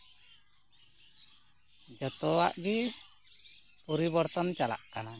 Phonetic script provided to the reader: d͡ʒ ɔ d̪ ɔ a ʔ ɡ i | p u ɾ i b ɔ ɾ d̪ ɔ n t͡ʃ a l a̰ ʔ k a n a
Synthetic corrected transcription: d͡ʒ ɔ t̪ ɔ a ʔ ɡ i | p u ɾ i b ɔ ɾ t̪ ɔ n t͡ʃ a l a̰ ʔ k a n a